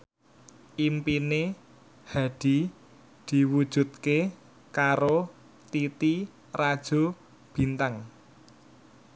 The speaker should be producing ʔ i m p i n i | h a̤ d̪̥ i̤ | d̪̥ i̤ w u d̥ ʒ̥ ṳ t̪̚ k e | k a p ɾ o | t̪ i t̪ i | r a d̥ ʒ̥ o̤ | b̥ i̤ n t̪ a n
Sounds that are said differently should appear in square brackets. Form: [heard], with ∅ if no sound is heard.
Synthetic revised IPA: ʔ i m p i n [e] | h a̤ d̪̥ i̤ | d̪̥ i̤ w u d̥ ʒ̥ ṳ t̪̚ k e | k a [∅] ɾ o | t̪ i t̪ i | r a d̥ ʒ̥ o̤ | b̥ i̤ n t̪ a [ŋ]